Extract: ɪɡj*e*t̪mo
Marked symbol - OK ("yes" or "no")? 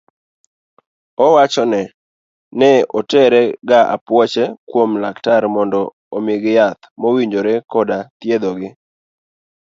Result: no